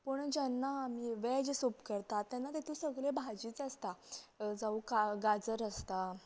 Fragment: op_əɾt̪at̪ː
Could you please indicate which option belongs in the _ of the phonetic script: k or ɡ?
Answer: k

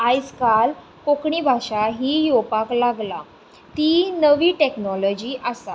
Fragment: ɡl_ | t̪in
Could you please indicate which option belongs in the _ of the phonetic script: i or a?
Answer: a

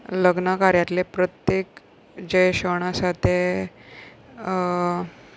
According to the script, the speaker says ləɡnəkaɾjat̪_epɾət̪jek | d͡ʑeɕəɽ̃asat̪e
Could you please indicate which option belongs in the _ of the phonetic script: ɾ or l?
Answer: l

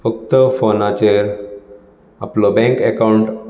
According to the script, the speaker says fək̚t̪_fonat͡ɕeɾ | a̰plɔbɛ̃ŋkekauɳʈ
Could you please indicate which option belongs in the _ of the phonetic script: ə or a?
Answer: ə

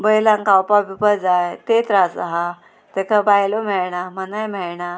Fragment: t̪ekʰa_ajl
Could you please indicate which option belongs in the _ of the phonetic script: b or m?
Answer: b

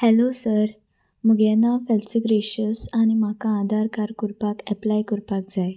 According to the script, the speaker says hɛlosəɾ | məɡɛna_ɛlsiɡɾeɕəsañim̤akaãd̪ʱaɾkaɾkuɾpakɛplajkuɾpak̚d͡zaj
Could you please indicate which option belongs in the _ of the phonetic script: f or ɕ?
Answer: f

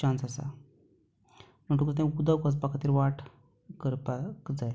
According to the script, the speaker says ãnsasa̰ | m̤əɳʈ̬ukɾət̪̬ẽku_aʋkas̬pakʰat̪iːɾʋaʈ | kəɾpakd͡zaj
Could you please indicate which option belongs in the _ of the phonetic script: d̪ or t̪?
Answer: d̪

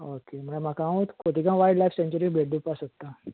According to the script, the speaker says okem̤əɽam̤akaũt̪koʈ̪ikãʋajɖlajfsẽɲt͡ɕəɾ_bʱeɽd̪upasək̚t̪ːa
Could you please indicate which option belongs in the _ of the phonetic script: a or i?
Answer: i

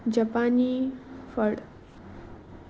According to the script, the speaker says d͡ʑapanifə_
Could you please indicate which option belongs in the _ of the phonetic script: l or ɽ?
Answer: ɽ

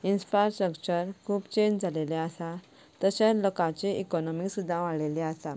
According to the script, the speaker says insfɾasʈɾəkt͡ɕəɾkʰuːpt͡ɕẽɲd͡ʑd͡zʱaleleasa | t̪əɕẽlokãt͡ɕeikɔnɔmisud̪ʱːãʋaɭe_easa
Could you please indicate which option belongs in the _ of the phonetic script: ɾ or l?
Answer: l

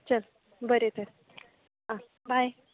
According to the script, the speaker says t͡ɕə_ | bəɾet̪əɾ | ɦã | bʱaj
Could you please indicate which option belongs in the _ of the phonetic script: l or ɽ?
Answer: l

